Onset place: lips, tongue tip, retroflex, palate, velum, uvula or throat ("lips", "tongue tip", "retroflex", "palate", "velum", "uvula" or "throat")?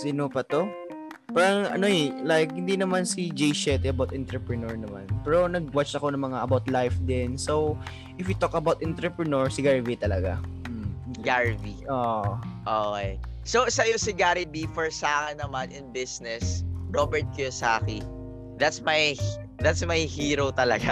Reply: tongue tip